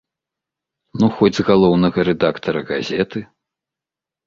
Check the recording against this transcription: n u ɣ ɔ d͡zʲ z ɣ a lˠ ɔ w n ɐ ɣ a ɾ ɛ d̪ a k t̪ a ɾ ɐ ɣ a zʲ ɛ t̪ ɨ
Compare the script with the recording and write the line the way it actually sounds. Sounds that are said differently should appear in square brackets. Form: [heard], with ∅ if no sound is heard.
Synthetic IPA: n u [x] ɔ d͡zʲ z ɣ a lˠ ɔ w n ɐ ɣ [ɐ] ɾ ɛ d̪ a k t̪ [ɐ] ɾ ɐ ɣ a zʲ ɛ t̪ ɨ